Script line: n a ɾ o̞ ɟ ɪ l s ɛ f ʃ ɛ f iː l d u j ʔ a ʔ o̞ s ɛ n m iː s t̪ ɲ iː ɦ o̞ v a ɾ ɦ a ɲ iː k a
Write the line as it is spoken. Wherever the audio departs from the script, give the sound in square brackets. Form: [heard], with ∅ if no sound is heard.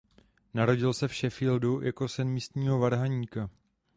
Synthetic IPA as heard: n a ɾ o̞ ɟ ɪ l s ɛ f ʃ ɛ f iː l d u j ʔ a [k] o̞ s ɛ n m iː s t̪ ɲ iː ɦ o̞ v a ɾ ɦ a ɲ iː k a